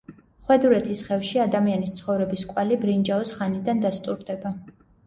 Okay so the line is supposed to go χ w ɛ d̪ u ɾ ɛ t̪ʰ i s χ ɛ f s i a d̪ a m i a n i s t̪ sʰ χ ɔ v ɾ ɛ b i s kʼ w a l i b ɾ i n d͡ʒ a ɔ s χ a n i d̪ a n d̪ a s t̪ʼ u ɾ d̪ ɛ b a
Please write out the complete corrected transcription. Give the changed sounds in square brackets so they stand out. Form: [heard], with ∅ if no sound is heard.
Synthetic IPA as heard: χ w ɛ d̪ u ɾ ɛ t̪ʰ i s χ ɛ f [ʃ] i a d̪ a m i a n i s t̪ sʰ χ ɔ v ɾ ɛ b i s kʼ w a l i b ɾ i n d͡ʒ a ɔ s χ a n i d̪ a n d̪ a s t̪ʼ u ɾ d̪ ɛ b a